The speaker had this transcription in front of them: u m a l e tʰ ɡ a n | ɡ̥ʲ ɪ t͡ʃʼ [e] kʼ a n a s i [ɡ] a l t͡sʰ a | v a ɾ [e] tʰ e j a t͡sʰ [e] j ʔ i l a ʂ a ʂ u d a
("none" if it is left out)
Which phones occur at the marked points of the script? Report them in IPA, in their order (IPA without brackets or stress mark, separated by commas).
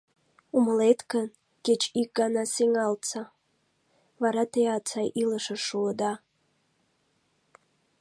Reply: i, ŋ, a, a